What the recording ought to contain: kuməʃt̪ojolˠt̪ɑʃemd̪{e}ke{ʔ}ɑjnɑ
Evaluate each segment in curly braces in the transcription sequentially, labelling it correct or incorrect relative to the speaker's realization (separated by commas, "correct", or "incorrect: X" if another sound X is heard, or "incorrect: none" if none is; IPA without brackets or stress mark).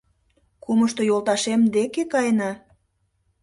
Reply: correct, incorrect: k